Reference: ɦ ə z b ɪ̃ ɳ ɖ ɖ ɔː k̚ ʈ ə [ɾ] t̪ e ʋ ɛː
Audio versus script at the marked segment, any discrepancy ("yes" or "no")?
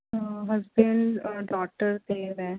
no